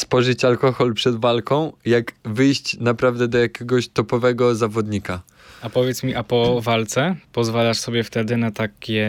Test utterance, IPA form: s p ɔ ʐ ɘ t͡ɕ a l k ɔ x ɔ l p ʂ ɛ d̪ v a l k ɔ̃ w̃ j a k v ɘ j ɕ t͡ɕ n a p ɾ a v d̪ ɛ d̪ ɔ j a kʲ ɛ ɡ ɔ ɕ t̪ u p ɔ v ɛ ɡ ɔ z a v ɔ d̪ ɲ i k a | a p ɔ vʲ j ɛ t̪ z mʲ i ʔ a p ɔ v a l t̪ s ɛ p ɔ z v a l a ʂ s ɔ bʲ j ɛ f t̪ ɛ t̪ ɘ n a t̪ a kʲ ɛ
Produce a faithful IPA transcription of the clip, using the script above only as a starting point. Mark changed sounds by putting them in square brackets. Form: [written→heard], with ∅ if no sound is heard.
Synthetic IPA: s p ɔ ʐ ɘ t͡ɕ a l k ɔ x ɔ l p ʂ ɛ d̪ v a l k ɔ̃ w̃ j a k v ɘ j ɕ t͡ɕ n a p ɾ a v d̪ ɛ d̪ ɔ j a kʲ ɛ ɡ ɔ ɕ t̪ [u→ɔ] p ɔ v ɛ ɡ ɔ z a v ɔ d̪ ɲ i k a | a p ɔ vʲ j ɛ t̪ [z→s] mʲ i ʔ a p ɔ v a l t̪ s ɛ p ɔ z v a l a ʂ s ɔ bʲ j ɛ f t̪ ɛ [t̪→d̪] ɘ n a t̪ a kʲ ɛ